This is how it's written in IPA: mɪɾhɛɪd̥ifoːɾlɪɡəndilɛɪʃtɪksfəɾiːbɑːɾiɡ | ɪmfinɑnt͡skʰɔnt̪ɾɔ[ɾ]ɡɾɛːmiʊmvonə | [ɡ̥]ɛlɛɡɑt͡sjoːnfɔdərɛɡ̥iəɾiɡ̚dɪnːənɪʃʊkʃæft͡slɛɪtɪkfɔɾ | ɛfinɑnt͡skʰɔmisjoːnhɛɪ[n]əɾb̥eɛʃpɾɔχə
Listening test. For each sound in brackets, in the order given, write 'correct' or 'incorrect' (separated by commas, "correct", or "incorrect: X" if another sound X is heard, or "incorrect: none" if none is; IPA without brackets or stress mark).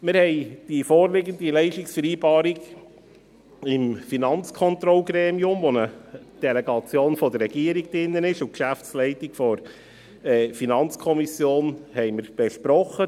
incorrect: l, incorrect: d̥, incorrect: m